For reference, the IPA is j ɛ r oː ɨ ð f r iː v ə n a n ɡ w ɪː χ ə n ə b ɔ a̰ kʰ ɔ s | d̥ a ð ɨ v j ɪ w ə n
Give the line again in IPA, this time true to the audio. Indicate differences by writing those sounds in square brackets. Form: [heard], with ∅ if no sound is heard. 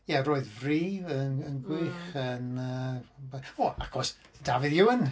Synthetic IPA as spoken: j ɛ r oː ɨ ð [v] r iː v ə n [ə] n ɡ w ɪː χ ə n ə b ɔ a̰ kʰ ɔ s | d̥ a [v] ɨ [ð] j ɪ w ə n